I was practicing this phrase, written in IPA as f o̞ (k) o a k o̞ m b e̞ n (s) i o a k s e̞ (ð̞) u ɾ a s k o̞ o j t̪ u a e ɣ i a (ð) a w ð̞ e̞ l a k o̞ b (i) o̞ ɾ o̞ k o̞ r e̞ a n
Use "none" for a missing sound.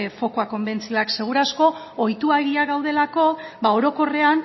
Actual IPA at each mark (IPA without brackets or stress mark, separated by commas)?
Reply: k, t͡s, ɣ̞, ɣ, a